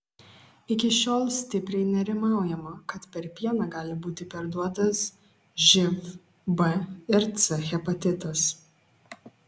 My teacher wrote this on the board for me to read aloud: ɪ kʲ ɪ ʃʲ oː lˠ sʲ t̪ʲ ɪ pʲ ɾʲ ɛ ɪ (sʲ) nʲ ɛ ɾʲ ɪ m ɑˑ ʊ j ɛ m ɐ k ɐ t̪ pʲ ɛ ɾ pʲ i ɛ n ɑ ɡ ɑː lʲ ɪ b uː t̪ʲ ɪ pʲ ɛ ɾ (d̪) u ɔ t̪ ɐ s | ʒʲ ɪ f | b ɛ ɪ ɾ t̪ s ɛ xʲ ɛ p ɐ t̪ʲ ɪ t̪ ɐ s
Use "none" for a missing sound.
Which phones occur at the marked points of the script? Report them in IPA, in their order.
none, d̪

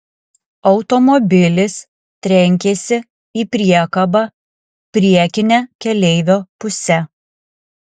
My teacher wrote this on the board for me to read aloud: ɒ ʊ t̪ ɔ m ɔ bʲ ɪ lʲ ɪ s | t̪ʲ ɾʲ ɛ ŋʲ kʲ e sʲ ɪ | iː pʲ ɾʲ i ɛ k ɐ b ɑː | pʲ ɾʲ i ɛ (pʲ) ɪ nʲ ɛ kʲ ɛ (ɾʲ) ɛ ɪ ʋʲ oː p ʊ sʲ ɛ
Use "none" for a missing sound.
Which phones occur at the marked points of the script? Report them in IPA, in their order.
kʲ, lʲ

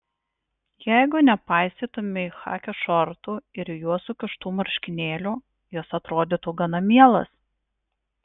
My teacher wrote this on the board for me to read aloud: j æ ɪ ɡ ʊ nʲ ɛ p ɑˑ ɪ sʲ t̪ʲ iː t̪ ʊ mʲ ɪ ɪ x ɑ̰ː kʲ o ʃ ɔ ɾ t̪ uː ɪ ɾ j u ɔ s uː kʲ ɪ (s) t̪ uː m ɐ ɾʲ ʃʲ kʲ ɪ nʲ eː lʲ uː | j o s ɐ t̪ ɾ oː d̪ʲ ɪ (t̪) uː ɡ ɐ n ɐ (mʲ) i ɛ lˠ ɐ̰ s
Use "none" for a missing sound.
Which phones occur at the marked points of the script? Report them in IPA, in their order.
ʃ, t̪, mʲ

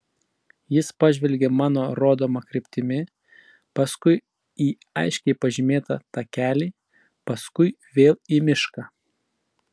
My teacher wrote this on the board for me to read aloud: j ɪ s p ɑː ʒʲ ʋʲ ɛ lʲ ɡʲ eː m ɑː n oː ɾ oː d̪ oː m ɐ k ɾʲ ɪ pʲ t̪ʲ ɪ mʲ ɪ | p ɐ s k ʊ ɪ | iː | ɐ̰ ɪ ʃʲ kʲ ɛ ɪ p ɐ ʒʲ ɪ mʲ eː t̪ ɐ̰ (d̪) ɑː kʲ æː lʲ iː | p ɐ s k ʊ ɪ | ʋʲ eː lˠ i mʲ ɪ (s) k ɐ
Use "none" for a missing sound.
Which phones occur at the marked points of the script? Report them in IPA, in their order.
t̪, ʃ

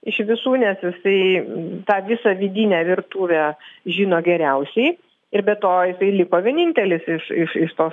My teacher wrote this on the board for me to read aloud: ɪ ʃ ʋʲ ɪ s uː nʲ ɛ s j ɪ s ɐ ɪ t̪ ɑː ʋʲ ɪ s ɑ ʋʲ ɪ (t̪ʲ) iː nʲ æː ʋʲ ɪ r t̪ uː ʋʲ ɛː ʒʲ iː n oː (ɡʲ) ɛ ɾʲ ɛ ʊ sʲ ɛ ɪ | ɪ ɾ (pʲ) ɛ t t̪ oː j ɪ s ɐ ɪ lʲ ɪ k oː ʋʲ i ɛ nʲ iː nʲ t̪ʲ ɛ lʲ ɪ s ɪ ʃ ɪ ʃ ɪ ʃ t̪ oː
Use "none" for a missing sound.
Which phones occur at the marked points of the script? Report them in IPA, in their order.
d̪ʲ, ɡʲ, bʲ

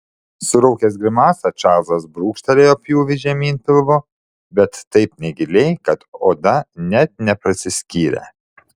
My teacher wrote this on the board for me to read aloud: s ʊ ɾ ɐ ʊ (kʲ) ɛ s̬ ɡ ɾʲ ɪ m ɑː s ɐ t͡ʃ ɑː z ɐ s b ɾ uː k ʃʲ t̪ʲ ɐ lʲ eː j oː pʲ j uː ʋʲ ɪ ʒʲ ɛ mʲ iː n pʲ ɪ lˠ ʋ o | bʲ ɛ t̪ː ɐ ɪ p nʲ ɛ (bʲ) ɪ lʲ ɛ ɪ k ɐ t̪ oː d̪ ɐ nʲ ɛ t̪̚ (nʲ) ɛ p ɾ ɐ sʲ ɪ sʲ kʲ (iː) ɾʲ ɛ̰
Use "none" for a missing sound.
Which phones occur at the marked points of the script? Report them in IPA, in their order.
kʲ, ɡʲ, nʲ, iː

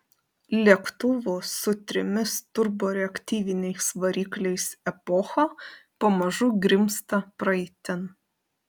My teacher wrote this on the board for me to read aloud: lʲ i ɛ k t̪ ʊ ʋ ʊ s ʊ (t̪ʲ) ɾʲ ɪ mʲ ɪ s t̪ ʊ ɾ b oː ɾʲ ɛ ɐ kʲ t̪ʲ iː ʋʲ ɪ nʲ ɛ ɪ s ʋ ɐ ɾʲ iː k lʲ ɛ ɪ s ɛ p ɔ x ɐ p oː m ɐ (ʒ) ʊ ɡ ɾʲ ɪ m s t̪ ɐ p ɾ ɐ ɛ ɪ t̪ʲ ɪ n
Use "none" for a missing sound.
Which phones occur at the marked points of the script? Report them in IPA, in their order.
t̪ʲ, ʒ

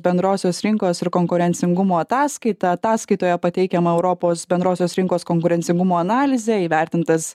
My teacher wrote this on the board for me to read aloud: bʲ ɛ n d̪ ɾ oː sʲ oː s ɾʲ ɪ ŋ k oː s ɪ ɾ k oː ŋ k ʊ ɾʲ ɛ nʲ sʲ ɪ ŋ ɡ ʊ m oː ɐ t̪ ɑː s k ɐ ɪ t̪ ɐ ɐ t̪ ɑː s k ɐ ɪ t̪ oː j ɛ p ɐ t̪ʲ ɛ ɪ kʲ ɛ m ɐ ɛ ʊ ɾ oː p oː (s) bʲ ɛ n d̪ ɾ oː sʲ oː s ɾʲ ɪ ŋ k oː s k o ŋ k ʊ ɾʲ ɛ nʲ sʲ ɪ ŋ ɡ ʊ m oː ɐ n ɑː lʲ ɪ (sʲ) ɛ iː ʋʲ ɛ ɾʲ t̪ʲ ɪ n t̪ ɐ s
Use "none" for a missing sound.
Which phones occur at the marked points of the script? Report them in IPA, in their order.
s, zʲ

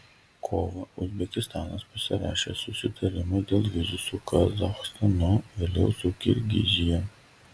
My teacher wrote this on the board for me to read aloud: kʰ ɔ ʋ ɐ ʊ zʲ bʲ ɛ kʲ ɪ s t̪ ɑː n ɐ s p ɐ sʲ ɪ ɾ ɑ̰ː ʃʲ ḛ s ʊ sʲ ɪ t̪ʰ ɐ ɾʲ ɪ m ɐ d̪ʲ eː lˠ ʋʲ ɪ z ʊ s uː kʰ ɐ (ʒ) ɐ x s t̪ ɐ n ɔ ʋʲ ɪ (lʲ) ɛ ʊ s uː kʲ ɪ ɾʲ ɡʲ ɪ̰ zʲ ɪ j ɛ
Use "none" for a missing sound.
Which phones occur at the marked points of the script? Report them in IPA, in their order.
z, lʲ

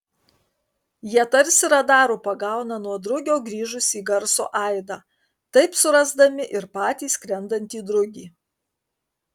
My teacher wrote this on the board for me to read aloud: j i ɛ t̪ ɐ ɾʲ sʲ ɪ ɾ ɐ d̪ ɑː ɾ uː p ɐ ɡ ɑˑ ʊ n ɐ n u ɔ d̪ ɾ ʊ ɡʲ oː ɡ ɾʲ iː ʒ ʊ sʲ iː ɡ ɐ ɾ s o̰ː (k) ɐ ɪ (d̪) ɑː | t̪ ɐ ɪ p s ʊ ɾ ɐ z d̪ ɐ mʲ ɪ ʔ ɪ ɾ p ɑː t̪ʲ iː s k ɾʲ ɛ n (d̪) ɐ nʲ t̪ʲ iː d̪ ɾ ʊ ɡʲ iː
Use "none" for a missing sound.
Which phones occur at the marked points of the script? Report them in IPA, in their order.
ʔ, d̪, d̪

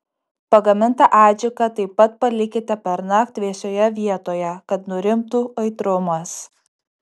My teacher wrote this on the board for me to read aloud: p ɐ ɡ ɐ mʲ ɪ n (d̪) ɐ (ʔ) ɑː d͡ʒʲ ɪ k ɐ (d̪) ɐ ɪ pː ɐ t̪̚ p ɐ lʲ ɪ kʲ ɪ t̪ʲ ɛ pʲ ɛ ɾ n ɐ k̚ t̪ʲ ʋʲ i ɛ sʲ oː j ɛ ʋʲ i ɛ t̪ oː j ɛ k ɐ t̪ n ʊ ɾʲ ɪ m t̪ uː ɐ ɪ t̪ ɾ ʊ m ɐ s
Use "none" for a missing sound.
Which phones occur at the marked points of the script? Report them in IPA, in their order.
t̪, ʔ, t̪

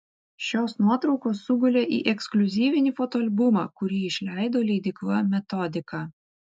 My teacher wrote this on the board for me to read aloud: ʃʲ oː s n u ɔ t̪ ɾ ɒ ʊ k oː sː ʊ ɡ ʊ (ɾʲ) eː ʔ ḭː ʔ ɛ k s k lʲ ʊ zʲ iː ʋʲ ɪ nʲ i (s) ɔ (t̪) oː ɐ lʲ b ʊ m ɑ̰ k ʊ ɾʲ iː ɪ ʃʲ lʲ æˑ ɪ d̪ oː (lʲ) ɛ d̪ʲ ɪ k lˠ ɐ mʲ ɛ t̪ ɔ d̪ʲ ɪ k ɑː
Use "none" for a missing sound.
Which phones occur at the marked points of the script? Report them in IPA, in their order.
lʲ, f, t̪, lʲ

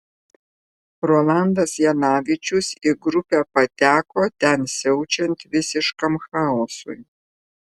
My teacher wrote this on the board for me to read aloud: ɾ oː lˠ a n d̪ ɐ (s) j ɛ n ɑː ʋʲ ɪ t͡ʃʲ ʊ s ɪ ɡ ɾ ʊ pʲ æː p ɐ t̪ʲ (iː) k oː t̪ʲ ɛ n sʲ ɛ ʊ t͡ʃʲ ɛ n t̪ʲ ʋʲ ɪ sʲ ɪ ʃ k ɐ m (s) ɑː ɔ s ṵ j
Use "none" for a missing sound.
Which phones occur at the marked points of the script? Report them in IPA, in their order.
s, æː, x

